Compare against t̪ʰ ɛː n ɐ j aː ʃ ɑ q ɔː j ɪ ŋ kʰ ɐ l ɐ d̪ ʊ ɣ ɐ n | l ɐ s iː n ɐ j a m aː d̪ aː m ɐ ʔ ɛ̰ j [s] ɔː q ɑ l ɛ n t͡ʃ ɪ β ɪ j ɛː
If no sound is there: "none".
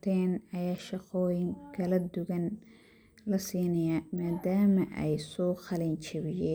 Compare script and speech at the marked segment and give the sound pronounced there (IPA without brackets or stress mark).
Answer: s